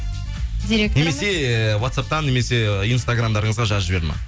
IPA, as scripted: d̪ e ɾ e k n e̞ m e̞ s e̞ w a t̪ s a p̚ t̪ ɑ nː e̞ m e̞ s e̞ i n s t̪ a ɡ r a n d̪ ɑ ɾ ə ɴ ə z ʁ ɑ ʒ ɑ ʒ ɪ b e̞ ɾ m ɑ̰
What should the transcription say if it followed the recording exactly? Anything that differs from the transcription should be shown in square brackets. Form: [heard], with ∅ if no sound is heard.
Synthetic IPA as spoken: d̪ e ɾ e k n e̞ m e̞ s e̞ w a t̪ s a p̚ t̪ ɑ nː e̞ m e̞ s e̞ i n s t̪ a ɡ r a [m] d̪ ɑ ɾ ə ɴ ə z ʁ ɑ ʒ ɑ ʒ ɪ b e̞ ɾ m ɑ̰

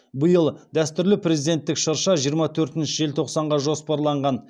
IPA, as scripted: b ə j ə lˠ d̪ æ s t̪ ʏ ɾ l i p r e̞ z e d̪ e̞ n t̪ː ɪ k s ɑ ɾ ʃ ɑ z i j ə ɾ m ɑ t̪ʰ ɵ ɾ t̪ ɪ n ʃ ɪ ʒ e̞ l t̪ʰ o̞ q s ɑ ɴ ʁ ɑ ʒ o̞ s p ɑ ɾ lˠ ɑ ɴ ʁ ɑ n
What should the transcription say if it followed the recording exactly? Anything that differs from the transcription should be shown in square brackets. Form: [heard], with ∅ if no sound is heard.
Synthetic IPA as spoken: b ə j ə lˠ d̪ æ s t̪ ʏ ɾ l [ɪ] p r e̞ z [i] d̪ e̞ n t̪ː ɪ k [ʃ] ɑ ɾ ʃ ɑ [ʒ] i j ə ɾ m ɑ t̪ʰ ɵ ɾ t̪ ɪ n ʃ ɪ ʒ e̞ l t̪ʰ o̞ q s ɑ ɴ ʁ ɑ ʒ o̞ s p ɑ ɾ lˠ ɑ ɴ ʁ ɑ n

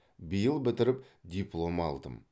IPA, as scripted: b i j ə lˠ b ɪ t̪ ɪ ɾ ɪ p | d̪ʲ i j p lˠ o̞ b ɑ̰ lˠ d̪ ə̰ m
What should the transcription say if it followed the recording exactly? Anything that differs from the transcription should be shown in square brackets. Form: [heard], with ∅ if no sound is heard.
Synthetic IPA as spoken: b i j ə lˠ b ɪ t̪ ɪ ɾ ɪ p | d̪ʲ i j p lˠ o̞ [m] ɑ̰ lˠ d̪ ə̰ m

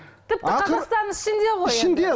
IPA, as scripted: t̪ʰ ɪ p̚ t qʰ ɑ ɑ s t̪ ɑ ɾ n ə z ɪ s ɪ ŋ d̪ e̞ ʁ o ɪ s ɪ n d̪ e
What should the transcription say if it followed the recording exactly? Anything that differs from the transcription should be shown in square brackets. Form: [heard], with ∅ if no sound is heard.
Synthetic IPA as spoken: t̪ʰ ɪ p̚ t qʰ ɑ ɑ s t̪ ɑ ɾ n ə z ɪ [ʃ] ɪ [n] d̪ e̞ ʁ o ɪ [ʃ] ɪ n d̪ e

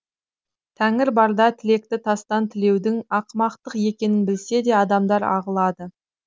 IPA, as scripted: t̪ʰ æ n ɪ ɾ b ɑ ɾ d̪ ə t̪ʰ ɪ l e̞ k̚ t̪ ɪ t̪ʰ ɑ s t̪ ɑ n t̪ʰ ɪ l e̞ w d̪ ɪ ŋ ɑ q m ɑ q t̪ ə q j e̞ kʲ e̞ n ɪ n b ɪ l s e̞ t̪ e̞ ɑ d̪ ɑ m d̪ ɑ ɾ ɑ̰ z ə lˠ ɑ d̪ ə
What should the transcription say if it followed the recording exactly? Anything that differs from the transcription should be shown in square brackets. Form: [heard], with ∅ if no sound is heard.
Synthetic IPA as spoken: t̪ʰ æ [ŋ] ɪ ɾ b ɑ ɾ d̪ [ɑ] t̪ʰ ɪ l e̞ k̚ t̪ ɪ t̪ʰ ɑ s t̪ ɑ n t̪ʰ ɪ l e̞ w d̪ ɪ ŋ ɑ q m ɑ q t̪ ə q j e̞ kʲ e̞ n ɪ n b ɪ l s e̞ [d̪] e̞ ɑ d̪ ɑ m d̪ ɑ ɾ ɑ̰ [ʁ] ə lˠ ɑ d̪ ə

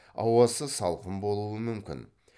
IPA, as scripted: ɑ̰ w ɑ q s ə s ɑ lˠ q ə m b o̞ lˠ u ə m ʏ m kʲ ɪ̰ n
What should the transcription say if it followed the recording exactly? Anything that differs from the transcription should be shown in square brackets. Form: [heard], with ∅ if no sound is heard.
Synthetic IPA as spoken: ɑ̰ w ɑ [∅] s ə s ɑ lˠ q ə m b o̞ lˠ u ə m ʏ m kʲ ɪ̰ n

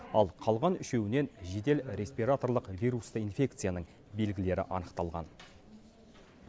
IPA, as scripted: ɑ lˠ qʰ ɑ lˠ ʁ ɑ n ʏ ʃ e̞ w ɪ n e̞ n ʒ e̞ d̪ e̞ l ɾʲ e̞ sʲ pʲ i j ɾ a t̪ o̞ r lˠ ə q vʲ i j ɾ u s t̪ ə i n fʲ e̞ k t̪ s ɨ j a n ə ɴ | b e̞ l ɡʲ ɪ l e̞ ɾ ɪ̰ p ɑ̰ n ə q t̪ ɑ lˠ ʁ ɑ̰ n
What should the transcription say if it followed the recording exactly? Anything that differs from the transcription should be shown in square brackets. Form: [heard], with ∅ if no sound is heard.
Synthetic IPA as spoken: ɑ lˠ qʰ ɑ lˠ ʁ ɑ n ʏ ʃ e̞ w ɪ n e̞ n ʒ e̞ d̪ e̞ l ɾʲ e̞ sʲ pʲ i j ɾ a t̪ o̞ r lˠ ə q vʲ i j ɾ u s t̪ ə i n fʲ e̞ k t̪ s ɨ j a n ə ɴ | b e̞ l ɡʲ ɪ l e̞ ɾ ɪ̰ [ʔ] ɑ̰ n ə q t̪ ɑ lˠ ʁ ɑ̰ n

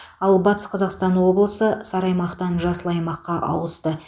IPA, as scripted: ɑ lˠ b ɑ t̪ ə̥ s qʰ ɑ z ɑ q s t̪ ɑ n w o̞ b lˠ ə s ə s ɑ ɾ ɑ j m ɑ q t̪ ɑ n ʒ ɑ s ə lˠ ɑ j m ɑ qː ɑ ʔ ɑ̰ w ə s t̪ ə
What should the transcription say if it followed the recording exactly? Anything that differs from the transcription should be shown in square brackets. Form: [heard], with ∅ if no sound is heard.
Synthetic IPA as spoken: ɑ lˠ b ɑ t̪ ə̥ s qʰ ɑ z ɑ q s t̪ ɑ n w o̞ b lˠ ə s ə s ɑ ɾ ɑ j m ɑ q t̪ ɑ n ʒ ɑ s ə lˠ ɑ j m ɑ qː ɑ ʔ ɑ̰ w ə s t̪ ə

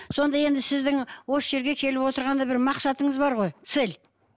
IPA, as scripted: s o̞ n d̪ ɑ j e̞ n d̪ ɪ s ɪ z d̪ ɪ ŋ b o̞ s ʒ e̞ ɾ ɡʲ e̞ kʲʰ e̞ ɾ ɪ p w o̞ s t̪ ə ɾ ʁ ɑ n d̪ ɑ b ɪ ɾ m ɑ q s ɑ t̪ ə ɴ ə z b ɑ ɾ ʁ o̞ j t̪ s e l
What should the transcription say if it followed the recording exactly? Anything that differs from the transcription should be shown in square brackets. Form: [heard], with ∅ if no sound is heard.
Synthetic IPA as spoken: s o̞ n d̪ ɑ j e̞ n d̪ ɪ s ɪ z d̪ ɪ ŋ [w] o̞ s ʒ e̞ ɾ ɡʲ e̞ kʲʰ e̞ [l] ɪ p w o̞ [∅] t̪ ə ɾ ʁ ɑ n d̪ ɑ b ɪ ɾ m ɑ q s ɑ t̪ ə ɴ ə z b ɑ ɾ ʁ o̞ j t̪ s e l

